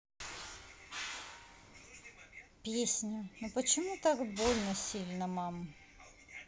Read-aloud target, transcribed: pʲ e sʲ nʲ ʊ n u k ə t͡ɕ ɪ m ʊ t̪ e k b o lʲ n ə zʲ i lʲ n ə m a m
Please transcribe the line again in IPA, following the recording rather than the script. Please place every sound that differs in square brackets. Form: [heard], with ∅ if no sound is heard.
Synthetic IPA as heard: pʲ e sʲ nʲ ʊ n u [p] ə t͡ɕ ɪ m [u] t̪ [a] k b o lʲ n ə [sʲ] i lʲ n ə m a m